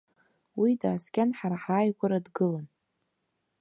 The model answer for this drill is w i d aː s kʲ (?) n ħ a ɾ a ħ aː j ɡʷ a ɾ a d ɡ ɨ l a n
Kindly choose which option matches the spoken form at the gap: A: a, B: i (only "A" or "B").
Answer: A